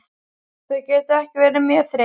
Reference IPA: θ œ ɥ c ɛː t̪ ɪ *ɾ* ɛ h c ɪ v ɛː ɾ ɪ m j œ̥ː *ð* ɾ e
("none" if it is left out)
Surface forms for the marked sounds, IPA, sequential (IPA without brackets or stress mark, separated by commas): none, θ